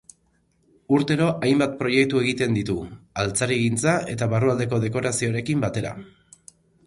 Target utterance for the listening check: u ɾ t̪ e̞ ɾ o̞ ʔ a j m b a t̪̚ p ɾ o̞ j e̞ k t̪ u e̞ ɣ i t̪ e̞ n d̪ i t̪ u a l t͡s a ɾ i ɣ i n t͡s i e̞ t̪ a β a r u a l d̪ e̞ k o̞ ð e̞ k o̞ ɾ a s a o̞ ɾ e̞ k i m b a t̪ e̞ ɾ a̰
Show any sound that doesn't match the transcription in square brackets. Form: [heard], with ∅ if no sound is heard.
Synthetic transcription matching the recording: u ɾ t̪ e̞ ɾ o̞ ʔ a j m b a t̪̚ p ɾ o̞ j e̞ k t̪ u e̞ ɣ i t̪ e̞ n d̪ i t̪ u a l t͡s a ɾ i ɣ i n t͡s [a] e̞ t̪ a β a r u a l d̪ e̞ k o̞ ð e̞ k o̞ ɾ a s [i] o̞ ɾ e̞ k i m b a t̪ e̞ ɾ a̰